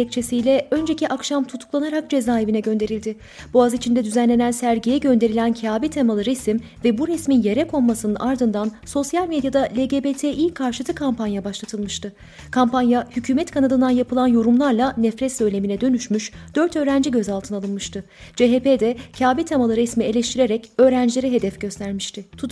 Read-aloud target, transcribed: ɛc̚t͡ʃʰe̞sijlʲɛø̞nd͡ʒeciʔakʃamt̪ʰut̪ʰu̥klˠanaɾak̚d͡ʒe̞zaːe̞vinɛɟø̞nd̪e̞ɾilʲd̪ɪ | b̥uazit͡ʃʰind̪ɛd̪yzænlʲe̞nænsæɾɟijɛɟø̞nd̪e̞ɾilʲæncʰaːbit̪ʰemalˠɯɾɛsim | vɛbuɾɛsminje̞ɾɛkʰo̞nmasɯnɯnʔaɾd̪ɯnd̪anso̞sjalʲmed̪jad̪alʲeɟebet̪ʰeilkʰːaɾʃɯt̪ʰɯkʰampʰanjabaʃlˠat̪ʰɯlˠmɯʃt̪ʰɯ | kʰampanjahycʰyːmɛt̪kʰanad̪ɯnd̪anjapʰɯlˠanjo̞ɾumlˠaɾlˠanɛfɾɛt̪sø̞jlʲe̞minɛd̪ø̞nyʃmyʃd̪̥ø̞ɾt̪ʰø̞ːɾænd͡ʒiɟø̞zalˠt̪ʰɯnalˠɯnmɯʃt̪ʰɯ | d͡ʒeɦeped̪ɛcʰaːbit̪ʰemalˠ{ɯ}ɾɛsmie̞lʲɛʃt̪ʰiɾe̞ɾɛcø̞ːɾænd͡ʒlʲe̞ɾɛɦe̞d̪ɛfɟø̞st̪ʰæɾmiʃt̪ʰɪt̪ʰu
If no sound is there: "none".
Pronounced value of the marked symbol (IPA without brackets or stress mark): ɯ